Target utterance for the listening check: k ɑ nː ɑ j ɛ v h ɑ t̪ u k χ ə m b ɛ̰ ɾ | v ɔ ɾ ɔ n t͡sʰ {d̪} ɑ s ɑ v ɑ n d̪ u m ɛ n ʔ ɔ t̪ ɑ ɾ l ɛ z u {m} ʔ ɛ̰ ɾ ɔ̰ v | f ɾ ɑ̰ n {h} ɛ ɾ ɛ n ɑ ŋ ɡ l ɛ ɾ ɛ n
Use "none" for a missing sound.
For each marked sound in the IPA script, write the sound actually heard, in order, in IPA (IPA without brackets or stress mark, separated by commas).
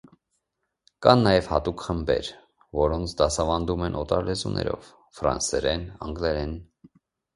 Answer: d̪, n, s